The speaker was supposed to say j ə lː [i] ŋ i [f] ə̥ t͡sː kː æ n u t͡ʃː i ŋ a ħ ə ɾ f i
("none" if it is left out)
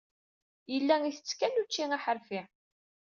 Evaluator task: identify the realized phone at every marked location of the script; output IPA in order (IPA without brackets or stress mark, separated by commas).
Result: æ, θ